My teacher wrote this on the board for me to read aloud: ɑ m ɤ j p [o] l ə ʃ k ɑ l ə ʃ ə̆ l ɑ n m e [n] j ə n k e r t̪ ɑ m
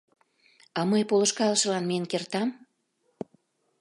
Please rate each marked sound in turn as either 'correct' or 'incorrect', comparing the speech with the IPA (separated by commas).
correct, incorrect